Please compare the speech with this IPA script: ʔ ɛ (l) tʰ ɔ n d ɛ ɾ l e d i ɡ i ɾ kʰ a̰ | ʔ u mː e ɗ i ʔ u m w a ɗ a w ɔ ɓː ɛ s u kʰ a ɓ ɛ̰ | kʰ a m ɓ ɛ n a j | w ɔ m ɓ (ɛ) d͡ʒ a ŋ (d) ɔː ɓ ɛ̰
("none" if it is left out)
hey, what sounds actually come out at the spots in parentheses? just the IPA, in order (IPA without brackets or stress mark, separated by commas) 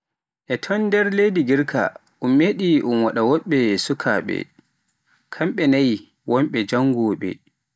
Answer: none, ɛ, ɡ